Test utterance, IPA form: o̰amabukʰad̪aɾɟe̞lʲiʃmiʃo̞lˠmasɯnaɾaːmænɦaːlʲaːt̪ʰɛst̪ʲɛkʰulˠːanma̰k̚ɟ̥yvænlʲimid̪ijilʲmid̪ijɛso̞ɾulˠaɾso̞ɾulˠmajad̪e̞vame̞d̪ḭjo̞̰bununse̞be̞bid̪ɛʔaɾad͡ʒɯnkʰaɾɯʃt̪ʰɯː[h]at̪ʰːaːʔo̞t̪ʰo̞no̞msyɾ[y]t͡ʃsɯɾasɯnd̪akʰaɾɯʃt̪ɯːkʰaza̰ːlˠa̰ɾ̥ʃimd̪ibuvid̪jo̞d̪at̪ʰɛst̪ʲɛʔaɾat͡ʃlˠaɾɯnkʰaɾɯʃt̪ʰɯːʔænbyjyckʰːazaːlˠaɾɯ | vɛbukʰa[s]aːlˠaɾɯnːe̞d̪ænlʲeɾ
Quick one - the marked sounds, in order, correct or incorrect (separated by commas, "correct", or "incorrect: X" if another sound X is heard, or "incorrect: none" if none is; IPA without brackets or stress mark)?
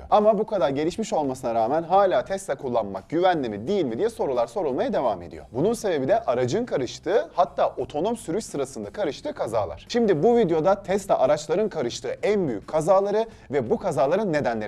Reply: correct, correct, incorrect: z